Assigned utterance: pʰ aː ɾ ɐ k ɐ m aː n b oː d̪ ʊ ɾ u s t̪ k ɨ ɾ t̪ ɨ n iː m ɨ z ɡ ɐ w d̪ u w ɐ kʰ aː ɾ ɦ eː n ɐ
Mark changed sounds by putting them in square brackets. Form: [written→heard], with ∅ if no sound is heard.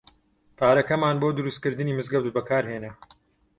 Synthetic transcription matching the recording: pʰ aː ɾ ɐ k ɐ m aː n b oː d̪ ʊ ɾ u s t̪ k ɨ ɾ [t̪→d̪] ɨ n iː m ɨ z ɡ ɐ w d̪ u [w→b] ɐ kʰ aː ɾ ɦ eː n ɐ

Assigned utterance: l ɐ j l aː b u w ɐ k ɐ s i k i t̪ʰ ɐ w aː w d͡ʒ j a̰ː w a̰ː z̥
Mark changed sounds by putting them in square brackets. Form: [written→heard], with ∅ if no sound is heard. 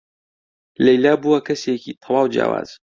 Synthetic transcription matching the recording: l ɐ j l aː b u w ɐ k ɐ s [i→e] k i t̪ʰ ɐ w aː w d͡ʒ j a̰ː w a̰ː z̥

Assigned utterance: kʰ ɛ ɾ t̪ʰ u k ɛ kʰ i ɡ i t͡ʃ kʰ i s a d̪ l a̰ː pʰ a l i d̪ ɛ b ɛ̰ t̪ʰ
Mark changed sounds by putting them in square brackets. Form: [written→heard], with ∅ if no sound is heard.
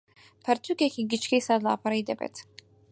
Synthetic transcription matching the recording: [kʰ→pʰ] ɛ ɾ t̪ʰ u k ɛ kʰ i ɡ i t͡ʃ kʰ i s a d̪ l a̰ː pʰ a [l→ɾ] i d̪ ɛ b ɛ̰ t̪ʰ

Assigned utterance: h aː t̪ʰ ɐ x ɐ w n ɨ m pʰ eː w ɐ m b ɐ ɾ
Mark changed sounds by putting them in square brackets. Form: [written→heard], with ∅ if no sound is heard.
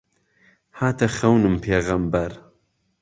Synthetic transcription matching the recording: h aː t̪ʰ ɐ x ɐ w n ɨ m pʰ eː [w→ɣ] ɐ m b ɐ ɾ

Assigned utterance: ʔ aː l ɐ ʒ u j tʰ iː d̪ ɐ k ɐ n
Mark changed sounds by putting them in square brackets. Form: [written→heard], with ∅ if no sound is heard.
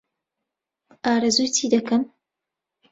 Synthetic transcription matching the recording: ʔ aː [l→ɾ] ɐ [ʒ→z] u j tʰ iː d̪ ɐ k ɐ [n→m]

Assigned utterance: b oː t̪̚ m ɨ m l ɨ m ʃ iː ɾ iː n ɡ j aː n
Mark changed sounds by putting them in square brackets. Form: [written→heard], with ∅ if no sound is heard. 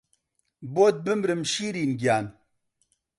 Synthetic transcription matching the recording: b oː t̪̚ [m→b] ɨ m [l→ɾ] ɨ m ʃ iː ɾ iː n ɡ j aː n

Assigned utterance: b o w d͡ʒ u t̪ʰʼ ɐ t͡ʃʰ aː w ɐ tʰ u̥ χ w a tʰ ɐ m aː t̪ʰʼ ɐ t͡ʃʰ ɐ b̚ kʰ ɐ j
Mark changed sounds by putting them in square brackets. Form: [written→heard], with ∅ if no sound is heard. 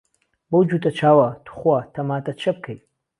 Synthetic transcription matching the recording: b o w d͡ʒ u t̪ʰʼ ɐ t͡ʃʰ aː w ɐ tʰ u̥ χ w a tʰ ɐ m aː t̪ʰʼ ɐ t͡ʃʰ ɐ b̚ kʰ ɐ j

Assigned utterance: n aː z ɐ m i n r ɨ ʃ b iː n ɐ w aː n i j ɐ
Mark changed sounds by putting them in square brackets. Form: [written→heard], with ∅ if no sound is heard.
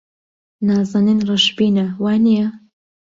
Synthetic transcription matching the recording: n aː z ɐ [m→n] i n r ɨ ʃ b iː n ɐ w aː n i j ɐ

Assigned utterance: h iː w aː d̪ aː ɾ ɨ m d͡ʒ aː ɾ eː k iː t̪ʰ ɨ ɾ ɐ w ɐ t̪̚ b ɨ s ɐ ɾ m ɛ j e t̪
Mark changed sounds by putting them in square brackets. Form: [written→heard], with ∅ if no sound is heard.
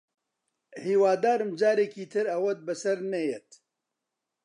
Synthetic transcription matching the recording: h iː w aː d̪ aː ɾ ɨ m d͡ʒ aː ɾ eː k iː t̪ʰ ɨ ɾ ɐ w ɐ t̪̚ b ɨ s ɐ ɾ [m→n] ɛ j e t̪

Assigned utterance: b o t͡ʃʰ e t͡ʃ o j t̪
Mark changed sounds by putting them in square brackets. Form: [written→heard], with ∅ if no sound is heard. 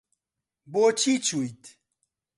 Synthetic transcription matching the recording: b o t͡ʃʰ [e→i] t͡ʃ [o→u] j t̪

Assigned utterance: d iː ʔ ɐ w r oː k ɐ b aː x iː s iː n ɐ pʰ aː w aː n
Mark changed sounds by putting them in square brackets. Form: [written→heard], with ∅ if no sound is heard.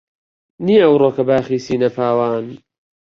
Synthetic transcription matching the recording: [d→n] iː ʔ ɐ w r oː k ɐ b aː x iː s iː n ɐ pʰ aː w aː n

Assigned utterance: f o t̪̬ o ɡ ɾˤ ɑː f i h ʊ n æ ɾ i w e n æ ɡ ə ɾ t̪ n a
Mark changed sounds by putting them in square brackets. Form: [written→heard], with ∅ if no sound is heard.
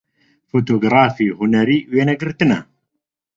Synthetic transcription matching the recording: f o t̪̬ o ɡ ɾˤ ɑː f i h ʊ n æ ɾ i w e n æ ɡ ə ɾ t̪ n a

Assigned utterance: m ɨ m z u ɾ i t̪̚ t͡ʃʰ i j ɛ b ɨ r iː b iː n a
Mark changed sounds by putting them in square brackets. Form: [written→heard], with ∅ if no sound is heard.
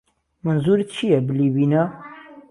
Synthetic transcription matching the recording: m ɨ [m→n] z u ɾ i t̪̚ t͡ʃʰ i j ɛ b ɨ [r→l] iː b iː n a

